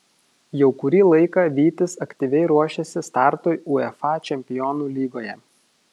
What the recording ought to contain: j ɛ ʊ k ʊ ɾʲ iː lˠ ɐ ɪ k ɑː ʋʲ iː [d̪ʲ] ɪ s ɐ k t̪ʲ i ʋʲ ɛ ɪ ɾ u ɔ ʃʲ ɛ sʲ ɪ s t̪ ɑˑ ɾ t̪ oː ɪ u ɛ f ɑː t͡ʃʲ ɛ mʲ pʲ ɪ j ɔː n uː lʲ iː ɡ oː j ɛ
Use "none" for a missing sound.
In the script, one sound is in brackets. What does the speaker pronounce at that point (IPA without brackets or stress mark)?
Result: t̪ʲ